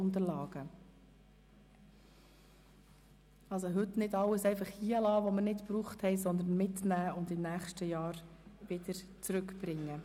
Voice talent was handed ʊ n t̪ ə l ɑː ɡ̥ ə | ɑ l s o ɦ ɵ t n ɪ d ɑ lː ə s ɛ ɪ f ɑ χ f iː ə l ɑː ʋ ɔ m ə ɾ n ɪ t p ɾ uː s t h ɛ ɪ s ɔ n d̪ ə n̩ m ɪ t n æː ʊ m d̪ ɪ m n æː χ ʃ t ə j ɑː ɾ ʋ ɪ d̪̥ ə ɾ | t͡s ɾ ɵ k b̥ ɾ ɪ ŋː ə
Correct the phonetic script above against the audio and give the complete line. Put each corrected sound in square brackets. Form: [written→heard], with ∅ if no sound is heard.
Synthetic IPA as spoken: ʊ n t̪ ə l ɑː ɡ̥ ə | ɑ l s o ɦ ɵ t n ɪ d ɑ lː ə s ɛ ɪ f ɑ χ [f→h] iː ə l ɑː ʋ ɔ m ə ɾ n ɪ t p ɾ uː [s→χ] t h ɛ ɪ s ɔ n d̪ ə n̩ m ɪ t n æː ʊ [m→n] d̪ ɪ m n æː χ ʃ t ə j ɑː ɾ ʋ ɪ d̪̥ ə ɾ | t͡s ɾ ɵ k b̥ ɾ ɪ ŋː ə